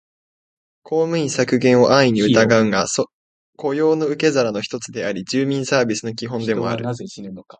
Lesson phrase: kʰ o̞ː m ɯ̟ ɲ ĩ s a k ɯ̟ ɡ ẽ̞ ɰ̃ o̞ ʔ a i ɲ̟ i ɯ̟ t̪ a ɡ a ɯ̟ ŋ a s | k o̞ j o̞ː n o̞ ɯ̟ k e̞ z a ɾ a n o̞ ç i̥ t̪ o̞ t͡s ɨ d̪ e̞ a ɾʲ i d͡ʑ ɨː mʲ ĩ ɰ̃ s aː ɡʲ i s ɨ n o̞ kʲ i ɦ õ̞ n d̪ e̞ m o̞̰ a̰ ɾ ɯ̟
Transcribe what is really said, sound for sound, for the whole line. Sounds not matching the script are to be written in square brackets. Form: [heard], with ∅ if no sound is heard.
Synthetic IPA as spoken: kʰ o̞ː m ɯ̟ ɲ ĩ s a k ɯ̟ ɡ ẽ̞ ɰ̃ o̞ ʔ a i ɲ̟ i ɯ̟ t̪ a ɡ a ɯ̟ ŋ a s | k o̞ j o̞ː n o̞ ɯ̟ k e̞ z a ɾ a n o̞ ç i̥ t̪ o̞ t͡s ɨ d̪ e̞ a ɾʲ i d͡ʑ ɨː mʲ ĩ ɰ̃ s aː [bʲ] i s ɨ n o̞ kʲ i ɦ õ̞ n d̪ e̞ m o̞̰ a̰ ɾ ɯ̟